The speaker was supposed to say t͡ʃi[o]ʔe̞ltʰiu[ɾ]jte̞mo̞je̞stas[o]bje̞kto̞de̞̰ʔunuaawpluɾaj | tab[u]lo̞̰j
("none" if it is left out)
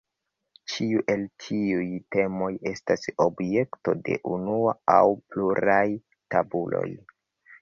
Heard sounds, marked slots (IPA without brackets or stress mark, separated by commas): u, none, o, u